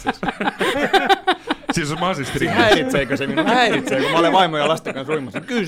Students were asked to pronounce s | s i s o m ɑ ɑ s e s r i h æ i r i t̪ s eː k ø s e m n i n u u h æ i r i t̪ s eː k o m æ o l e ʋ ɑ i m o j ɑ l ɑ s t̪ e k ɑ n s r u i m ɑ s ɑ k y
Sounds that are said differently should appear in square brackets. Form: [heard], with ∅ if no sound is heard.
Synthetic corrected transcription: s | s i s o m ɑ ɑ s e s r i h æ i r i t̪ s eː k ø s e m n i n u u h æ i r i t̪ s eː k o m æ o l e ʋ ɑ i m o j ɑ l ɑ s t̪ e k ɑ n s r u i m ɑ s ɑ k y